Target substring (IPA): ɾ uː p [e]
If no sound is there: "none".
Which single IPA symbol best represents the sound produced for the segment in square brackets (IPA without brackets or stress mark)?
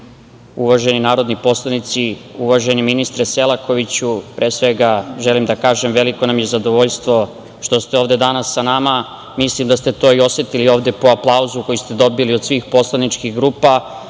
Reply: a